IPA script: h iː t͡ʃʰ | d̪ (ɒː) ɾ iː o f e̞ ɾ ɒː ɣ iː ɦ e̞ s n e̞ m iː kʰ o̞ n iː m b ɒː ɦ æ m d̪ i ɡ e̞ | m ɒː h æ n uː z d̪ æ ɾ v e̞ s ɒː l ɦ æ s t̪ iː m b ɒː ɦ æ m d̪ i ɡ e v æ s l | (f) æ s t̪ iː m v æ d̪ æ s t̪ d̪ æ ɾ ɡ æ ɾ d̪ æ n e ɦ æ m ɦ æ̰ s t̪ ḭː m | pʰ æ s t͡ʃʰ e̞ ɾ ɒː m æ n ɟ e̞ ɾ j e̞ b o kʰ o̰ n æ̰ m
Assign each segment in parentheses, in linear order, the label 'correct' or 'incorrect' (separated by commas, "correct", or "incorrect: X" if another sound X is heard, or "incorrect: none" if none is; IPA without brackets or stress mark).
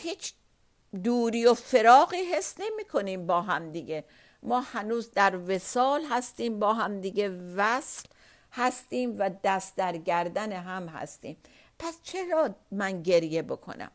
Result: incorrect: uː, incorrect: h